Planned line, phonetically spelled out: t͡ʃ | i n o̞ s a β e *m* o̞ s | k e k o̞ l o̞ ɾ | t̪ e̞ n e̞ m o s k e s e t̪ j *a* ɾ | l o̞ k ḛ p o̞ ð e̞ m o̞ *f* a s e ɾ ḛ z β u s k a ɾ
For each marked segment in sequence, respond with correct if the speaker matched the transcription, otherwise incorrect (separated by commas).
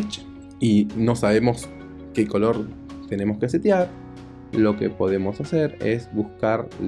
correct, correct, incorrect